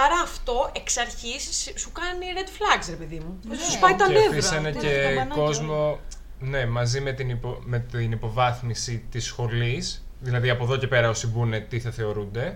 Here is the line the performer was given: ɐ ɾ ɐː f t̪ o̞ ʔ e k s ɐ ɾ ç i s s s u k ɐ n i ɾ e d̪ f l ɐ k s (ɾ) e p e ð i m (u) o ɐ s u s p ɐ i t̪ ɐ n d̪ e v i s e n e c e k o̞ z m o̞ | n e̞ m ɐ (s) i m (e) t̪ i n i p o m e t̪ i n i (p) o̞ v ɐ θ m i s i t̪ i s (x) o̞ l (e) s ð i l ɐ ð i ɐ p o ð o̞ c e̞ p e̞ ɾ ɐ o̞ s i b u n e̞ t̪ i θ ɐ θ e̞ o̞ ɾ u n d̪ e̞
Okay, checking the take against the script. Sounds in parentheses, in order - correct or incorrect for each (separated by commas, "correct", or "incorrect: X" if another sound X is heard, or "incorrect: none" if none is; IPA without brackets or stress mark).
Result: correct, correct, incorrect: z, correct, correct, correct, incorrect: i